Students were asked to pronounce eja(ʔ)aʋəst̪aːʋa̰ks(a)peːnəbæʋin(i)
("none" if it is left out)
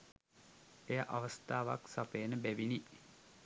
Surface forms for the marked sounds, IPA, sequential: ʔ, a, i

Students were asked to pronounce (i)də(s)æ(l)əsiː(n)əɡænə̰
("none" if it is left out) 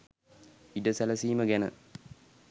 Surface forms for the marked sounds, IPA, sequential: i, s, l, m

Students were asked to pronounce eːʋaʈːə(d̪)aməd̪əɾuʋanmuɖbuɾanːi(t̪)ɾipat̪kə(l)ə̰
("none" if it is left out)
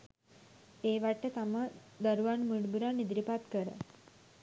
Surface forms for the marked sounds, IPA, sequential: t̪, d̪, ɾ

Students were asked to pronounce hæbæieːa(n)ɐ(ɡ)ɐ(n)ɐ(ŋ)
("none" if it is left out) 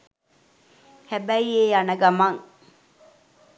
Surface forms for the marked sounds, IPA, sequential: n, ɡ, m, ŋ

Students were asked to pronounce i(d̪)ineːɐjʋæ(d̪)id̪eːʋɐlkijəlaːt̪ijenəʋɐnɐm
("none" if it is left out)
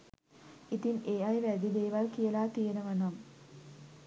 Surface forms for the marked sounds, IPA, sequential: t̪, d̪

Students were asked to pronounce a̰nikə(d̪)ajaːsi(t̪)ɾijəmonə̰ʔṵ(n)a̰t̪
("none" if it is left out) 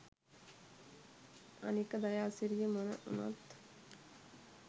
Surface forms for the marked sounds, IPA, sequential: d̪, none, n

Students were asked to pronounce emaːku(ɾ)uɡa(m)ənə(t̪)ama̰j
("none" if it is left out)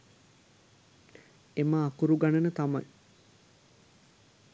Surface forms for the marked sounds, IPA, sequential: ɾ, n, t̪

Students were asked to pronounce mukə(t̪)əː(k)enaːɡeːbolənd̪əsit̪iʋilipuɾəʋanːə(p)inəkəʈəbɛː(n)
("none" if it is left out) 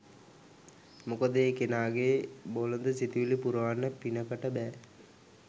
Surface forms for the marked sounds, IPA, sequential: d̪, k, p, none

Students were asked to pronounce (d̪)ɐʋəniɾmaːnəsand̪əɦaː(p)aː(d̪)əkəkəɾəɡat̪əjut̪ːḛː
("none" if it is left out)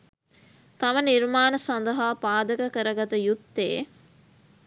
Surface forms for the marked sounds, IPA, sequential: t̪, p, d̪

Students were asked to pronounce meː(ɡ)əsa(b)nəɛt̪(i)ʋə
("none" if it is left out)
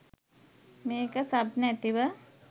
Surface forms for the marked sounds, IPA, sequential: k, b, i

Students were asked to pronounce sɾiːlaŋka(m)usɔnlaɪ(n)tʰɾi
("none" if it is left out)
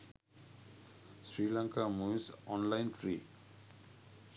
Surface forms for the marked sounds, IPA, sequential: m, n

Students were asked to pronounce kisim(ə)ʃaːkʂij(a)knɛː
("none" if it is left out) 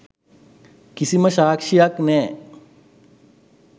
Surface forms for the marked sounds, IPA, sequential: ə, a

